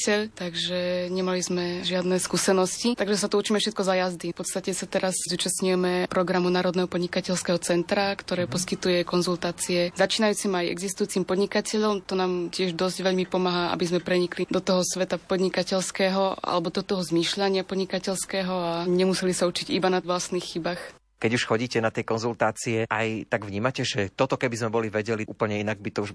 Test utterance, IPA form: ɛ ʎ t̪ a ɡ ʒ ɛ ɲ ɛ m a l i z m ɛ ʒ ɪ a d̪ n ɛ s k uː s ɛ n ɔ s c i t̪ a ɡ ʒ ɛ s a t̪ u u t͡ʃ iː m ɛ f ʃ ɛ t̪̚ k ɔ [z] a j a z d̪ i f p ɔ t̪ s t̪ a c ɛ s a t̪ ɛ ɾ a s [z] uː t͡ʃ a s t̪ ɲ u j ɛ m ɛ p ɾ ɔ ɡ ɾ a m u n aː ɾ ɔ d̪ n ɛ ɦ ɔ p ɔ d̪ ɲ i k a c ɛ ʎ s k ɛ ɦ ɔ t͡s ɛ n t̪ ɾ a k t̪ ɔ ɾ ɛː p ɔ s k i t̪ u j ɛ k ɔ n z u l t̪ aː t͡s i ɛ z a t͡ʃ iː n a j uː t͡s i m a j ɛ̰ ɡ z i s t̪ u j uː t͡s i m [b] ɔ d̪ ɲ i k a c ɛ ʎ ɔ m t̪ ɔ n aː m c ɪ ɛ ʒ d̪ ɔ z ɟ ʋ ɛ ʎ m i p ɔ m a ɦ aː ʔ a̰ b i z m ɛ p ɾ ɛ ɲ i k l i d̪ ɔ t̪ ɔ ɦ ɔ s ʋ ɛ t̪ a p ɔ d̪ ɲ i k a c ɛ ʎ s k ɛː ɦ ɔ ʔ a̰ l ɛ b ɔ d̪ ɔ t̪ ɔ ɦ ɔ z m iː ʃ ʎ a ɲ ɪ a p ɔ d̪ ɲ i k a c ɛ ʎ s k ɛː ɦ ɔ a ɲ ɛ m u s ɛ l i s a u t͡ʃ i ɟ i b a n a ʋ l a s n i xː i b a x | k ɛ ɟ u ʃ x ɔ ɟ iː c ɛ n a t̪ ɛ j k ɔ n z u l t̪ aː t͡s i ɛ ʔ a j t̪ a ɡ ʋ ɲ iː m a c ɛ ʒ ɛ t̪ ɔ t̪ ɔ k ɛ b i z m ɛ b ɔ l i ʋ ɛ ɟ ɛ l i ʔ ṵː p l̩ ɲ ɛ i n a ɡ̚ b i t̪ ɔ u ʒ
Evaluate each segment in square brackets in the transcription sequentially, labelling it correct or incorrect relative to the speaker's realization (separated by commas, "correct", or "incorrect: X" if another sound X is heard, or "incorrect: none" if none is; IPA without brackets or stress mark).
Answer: correct, correct, incorrect: p